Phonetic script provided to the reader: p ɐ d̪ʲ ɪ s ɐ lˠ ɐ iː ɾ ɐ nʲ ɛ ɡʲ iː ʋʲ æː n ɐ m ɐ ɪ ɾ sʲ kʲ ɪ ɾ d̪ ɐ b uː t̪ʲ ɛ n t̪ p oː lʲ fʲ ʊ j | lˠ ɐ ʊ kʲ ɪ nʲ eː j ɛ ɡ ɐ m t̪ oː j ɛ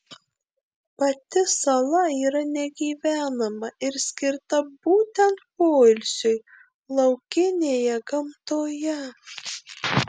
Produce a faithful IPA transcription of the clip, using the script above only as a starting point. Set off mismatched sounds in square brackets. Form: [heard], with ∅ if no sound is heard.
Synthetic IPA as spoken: p ɐ [t̪ʲ] ɪ s ɐ lˠ ɐ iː ɾ ɐ nʲ ɛ ɡʲ iː ʋʲ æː n ɐ m ɐ ɪ ɾ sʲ kʲ ɪ ɾ [t̪] ɐ b uː t̪ʲ ɛ n t̪ p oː lʲ [sʲ] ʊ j | lˠ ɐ ʊ kʲ ɪ nʲ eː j ɛ ɡ ɐ m t̪ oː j ɛ